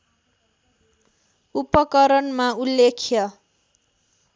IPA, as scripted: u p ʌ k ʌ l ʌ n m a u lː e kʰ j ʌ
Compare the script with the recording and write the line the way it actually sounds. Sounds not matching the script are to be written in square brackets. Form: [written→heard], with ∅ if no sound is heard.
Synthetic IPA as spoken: u p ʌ k ʌ [l→ɾ] ʌ n m a u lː e kʰ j ʌ